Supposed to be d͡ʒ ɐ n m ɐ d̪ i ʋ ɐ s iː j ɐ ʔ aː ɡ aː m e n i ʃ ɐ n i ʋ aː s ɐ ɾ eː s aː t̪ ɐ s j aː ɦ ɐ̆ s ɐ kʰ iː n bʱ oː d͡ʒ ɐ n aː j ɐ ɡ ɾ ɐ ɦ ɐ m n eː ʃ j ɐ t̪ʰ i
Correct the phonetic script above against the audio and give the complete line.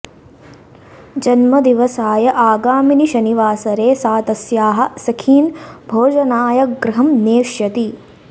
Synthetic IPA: d͡ʒ ɐ n m ɐ d̪ i ʋ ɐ s aː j ɐ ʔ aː ɡ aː m i n i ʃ ɐ n i ʋ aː s ɐ ɾ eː s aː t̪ ɐ s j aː ɦ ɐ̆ s ɐ kʰ iː n bʱ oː d͡ʒ ɐ n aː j ɐ ɡ ɾ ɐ ɦ ɐ m n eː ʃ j ɐ t̪ i

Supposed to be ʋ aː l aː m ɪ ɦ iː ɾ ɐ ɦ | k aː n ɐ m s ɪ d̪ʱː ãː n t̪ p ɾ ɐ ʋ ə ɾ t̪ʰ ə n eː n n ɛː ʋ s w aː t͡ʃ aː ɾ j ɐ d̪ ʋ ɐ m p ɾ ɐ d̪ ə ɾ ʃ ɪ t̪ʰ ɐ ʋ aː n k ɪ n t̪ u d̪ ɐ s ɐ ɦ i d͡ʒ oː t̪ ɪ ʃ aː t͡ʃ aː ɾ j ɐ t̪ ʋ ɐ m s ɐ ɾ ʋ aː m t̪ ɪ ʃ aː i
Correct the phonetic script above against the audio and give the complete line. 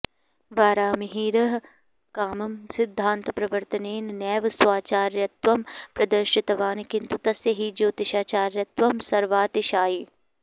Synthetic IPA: ʋ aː ɾ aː m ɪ ɦ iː ɾ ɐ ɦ | k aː m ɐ m s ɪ d̪ʱː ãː n t̪ p ɾ ɐ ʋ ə ɾ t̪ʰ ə n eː n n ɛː ʋ s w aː t͡ʃ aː ɾ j ɐ t̪ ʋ ɐ m p ɾ ɐ d̪ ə ɾ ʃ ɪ t̪ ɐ ʋ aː n k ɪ n t̪ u t̪ ɐ s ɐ ɦ i d͡ʒ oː t̪ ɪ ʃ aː t͡ʃ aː ɾ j ɐ t̪ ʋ ɐ m s ɐ ɾ ʋ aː t̪ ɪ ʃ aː i

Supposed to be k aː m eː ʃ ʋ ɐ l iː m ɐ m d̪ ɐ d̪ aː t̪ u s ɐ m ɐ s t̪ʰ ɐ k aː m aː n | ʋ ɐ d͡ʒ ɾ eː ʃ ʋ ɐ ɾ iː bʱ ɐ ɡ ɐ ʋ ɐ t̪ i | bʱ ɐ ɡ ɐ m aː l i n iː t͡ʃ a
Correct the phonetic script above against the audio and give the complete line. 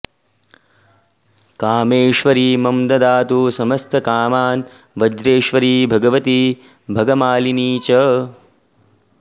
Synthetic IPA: k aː m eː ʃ ʋ ɐ ɾ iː m ɐ m d̪ ɐ d̪ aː t̪ u s ɐ m ɐ s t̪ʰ ɐ k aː m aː n | ʋ ɐ d͡ʒ ɾ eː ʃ ʋ ɐ ɾ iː bʱ ɐ ɡ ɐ ʋ ɐ t̪ i | bʱ ɐ ɡ ɐ m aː l i n iː t͡ʃ ɐ

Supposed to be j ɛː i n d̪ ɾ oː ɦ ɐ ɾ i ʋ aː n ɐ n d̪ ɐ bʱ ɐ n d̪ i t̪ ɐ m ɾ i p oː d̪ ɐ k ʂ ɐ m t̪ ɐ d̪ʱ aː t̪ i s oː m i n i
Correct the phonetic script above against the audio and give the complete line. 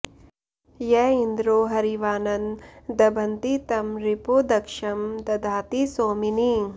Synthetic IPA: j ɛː i n d̪ ɾ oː ɦ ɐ ɾ i ʋ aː n ɐ n d̪ ɐ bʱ ɐ n t̪ i t̪ ɐ m ɾ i p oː d̪ ɐ k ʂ ɐ m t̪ ɐ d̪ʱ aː t̪ i s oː m i n i

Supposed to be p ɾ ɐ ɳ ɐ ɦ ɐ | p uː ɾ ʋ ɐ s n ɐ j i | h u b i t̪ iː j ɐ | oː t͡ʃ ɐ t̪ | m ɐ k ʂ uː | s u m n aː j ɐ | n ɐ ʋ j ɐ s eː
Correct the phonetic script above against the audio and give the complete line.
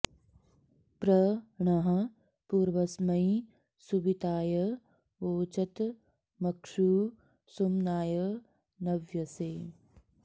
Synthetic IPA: p ɾ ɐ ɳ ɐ ɦ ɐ | p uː ɾ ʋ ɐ s m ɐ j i | s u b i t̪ aː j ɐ | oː t͡ʃ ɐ t̪ | m ɐ k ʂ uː | s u m n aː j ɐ | n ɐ ʋ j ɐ s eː

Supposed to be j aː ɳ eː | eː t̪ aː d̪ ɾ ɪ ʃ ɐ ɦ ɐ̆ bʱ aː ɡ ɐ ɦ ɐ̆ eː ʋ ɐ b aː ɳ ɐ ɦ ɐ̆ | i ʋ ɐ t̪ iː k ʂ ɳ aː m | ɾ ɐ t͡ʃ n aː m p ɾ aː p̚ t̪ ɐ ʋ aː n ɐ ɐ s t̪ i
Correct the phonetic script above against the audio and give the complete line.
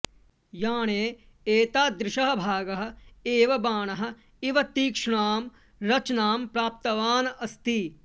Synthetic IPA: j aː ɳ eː | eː t̪ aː d̪ ɾ ɪ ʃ ɐ ɦ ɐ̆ bʱ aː ɡ ɐ ɦ ɐ̆ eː ʋ ɐ b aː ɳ ɐ ɦ ɐ̆ | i ʋ ɐ t̪ iː k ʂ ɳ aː m | ɾ ɐ t͡ʃ n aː m p ɾ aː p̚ t̪ ɐ ʋ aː n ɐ ɐ s t̪ i

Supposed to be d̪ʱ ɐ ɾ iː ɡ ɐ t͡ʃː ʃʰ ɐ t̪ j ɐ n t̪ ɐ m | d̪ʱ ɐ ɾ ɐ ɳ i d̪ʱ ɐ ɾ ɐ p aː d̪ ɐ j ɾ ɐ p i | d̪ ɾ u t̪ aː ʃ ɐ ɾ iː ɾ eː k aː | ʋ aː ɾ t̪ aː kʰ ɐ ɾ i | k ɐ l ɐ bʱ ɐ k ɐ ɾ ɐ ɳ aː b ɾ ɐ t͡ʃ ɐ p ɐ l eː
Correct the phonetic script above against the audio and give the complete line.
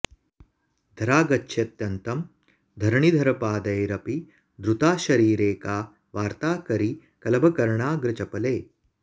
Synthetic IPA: d̪ʱ ɐ ɾ aː ɡ ɐ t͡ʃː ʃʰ ɐ t̪ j ɐ n t̪ ɐ m | d̪ʱ ɐ ɾ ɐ ɳ i d̪ʱ ɐ ɾ ɐ p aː d̪ ɐ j ɾ ɐ p i | d̪ ɾ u t̪ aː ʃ ɐ ɾ iː ɾ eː k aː | ʋ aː ɾ t̪ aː k ɐ ɾ i | k ɐ l ɐ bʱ ɐ k ɐ ɾ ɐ ɳ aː ɡ ɾ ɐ t͡ʃ ɐ p ɐ l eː

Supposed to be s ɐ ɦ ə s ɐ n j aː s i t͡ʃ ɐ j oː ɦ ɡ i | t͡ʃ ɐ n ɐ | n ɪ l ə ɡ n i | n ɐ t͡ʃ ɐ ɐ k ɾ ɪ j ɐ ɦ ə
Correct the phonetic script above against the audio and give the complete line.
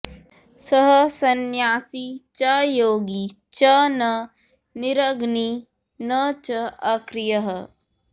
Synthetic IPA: s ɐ ɦ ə s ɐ n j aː s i t͡ʃ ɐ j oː ɡ i | t͡ʃ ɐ n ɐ | n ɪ ɾ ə ɡ n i | n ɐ t͡ʃ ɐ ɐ k ɾ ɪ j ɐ ɦ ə

